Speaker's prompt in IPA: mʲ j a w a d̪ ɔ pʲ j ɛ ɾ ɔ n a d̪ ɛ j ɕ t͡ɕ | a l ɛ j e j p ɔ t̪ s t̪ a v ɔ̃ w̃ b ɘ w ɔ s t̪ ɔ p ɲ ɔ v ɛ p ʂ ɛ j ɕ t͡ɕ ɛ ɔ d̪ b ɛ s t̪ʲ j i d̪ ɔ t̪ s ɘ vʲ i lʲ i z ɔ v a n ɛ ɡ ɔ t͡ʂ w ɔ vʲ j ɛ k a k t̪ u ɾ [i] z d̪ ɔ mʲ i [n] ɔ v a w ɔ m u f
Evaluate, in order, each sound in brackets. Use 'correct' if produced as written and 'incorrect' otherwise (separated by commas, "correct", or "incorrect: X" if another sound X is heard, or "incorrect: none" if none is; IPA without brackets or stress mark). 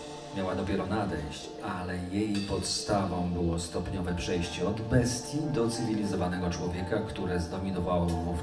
incorrect: ɛ, correct